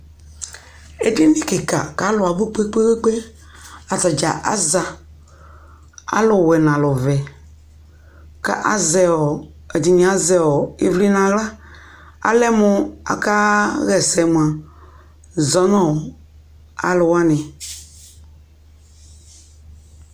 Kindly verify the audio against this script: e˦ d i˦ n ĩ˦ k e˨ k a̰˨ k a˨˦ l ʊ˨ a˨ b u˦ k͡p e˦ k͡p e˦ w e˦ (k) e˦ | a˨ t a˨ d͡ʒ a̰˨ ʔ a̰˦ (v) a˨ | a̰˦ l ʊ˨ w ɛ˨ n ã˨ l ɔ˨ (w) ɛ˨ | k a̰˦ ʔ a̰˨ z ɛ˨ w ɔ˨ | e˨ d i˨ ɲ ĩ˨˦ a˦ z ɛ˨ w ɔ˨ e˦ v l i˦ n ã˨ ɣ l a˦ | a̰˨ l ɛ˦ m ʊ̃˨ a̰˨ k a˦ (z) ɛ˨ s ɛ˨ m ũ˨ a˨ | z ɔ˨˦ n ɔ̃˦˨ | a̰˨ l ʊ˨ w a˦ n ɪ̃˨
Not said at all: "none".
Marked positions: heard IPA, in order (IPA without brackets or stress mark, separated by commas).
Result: k͡p, z, v, ɣ